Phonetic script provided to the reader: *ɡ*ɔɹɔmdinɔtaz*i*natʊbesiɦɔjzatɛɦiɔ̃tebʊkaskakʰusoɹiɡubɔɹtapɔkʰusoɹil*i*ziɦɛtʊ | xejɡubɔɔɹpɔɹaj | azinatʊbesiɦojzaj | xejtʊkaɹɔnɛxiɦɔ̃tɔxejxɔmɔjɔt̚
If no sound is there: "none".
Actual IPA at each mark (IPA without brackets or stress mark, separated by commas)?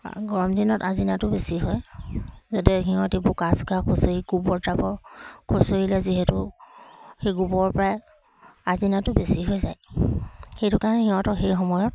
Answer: ɡ, i, ɛ